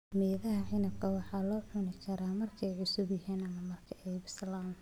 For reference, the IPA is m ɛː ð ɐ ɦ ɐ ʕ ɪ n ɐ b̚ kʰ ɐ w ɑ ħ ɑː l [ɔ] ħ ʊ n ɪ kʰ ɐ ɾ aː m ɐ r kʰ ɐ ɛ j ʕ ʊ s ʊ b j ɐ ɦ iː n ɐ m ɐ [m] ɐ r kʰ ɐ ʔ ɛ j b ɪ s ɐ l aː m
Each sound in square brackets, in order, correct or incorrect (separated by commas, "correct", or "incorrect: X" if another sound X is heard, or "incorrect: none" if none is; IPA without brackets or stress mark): incorrect: ɔː, correct